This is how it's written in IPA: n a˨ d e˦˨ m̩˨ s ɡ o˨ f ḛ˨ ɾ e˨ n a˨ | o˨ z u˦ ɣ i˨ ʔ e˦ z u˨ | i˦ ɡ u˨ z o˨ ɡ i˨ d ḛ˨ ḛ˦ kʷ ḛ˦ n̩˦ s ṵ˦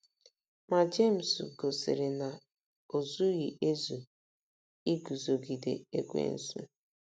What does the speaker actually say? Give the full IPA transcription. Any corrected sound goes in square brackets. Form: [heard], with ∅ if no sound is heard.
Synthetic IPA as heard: [m] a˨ [d͡ʒ] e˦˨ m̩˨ s ɡ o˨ [s] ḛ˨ ɾ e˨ n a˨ | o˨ z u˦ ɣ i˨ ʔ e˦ z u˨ | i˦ ɡ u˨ z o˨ ɡ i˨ d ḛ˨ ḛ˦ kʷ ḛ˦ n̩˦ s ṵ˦